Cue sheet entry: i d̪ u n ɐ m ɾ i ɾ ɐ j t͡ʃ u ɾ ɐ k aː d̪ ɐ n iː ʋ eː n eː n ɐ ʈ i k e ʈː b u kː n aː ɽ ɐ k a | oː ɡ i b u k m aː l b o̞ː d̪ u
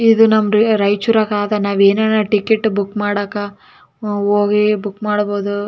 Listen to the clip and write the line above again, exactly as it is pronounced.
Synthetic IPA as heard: i d̪ u n ɐ m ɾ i ɾ ɐ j t͡ʃ u ɾ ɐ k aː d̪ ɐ n aː ʋ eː n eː n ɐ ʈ i k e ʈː b u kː m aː ɽ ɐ k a | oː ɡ i b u k m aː ɽ b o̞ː d̪ u